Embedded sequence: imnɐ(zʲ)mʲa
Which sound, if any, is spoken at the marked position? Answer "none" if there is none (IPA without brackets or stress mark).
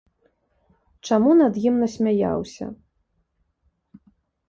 sʲ